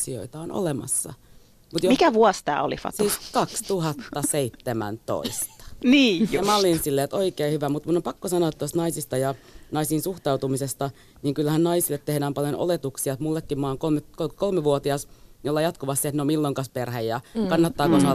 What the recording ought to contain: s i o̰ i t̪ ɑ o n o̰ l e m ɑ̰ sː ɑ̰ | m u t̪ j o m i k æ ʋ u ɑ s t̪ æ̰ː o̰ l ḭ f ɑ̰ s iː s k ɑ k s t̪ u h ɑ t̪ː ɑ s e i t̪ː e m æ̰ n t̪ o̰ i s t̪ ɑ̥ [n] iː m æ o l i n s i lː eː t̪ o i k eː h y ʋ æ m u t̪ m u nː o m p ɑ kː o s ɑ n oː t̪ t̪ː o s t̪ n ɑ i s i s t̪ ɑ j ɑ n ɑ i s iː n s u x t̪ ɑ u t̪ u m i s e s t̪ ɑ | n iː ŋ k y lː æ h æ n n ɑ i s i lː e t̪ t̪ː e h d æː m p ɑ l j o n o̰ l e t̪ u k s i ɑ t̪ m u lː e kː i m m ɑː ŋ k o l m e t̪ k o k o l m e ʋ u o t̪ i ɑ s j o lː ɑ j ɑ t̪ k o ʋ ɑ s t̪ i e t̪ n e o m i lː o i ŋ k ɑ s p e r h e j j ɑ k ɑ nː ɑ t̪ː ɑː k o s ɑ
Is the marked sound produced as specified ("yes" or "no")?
yes